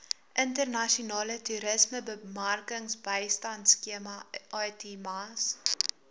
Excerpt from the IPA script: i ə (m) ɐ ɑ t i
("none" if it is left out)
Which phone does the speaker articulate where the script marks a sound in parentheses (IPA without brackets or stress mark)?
m